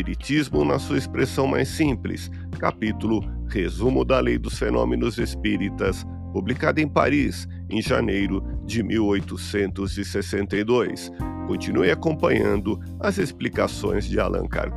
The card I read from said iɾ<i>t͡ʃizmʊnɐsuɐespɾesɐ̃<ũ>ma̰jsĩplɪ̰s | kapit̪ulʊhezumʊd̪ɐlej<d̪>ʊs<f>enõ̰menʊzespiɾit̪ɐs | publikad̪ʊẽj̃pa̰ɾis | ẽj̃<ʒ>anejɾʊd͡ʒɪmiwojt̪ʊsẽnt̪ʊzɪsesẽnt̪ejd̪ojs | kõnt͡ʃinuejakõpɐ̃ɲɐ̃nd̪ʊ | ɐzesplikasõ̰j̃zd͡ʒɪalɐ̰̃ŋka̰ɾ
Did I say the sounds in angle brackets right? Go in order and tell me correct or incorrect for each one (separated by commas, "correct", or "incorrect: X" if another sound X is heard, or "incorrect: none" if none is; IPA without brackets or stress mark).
correct, incorrect: w̃, correct, correct, correct